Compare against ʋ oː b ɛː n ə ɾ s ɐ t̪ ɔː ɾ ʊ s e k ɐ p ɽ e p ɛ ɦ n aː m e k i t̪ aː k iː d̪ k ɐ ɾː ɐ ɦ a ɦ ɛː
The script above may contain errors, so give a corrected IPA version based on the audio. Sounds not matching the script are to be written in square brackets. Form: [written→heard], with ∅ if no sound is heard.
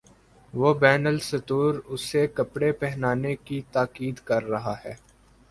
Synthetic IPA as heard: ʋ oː b ɛː n ə [ɾ→l] s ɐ t̪ [ɔː→uː] ɾ ʊ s e k ɐ p ɽ e p ɛ ɦ n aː [m→n] e k i t̪ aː k iː d̪ k ɐ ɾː ɐ ɦ a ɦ ɛː